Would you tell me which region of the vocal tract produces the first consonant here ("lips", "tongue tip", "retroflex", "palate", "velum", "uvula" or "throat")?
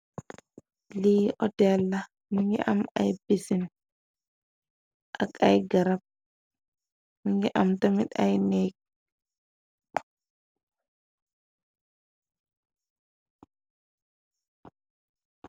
tongue tip